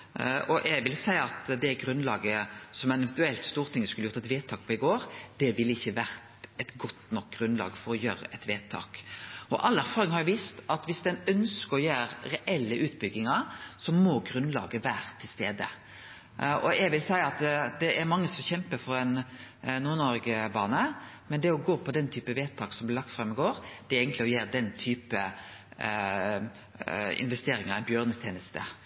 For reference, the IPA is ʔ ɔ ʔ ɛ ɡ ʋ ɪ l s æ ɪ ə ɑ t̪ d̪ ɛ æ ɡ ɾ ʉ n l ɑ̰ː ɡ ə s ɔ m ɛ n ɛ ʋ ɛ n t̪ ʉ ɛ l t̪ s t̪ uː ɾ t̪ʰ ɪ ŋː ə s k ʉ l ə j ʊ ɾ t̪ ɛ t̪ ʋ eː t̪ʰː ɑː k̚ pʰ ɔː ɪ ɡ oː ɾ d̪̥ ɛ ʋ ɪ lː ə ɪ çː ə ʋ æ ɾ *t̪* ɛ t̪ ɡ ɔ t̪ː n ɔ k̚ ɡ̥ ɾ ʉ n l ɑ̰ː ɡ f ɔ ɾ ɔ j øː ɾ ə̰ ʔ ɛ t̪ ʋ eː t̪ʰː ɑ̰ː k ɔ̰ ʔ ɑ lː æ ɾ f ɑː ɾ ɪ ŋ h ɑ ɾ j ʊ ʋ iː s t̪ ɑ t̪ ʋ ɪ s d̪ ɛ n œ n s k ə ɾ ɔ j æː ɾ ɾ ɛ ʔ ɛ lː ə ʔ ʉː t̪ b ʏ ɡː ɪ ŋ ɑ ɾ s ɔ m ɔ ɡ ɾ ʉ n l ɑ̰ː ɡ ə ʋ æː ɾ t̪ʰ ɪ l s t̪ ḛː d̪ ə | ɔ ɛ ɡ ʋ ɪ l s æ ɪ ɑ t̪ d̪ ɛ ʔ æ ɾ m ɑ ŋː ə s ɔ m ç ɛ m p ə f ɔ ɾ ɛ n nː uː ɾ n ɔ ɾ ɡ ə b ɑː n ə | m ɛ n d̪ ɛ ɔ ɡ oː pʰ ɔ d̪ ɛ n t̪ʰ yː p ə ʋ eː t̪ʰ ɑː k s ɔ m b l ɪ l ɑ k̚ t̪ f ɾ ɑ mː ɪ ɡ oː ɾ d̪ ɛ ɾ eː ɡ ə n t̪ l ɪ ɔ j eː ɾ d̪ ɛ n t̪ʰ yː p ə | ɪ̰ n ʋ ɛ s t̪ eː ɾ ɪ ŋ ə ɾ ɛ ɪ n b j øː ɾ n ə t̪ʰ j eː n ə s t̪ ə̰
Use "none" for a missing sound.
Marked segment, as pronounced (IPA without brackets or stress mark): t̪